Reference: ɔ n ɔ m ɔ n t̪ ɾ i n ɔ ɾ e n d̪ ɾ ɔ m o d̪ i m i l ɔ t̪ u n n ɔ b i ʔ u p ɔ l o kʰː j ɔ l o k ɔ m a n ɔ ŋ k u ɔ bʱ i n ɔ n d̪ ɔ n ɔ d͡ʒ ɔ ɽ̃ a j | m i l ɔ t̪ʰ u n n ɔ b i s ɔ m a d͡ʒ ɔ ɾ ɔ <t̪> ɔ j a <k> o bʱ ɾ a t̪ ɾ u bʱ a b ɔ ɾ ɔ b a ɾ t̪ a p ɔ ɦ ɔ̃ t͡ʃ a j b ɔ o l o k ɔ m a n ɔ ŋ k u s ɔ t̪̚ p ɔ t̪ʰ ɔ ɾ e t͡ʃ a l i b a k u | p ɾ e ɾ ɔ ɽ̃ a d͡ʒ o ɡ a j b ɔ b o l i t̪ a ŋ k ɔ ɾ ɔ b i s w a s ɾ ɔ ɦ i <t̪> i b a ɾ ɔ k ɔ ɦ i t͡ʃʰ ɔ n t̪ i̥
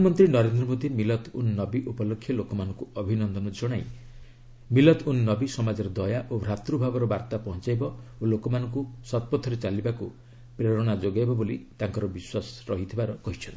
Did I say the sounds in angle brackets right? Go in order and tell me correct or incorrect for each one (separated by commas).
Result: incorrect, incorrect, incorrect